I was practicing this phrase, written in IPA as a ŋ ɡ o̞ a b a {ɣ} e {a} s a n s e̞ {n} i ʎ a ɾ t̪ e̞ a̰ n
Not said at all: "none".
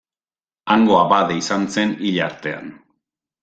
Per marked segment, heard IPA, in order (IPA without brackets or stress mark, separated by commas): ð, i, n